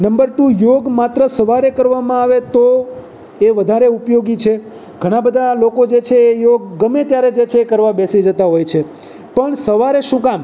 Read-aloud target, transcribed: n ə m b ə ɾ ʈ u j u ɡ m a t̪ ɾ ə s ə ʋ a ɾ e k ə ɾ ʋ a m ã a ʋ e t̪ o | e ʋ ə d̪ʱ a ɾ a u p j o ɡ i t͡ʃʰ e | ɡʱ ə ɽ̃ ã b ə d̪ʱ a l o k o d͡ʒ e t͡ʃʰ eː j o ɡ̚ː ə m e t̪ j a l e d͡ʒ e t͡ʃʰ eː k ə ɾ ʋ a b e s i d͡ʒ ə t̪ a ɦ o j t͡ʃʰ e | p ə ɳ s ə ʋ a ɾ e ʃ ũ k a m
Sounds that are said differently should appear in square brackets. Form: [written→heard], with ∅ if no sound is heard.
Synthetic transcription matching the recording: n ə m b ə ɾ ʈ u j [u→o] ɡ m a t̪ ɾ ə s ə ʋ a ɾ e k ə ɾ ʋ a m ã a ʋ e t̪ o | e ʋ ə d̪ʱ a ɾ [a→e] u p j o ɡ i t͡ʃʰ e | ɡʱ ə ɽ̃ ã b ə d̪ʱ a l o k o d͡ʒ e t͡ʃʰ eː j o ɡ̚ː ə m e t̪ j a [l→ɾ] e d͡ʒ e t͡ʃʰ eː k ə ɾ ʋ a b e s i d͡ʒ ə t̪ a ɦ o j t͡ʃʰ e | p ə ɳ s ə ʋ a ɾ e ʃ ũ k a m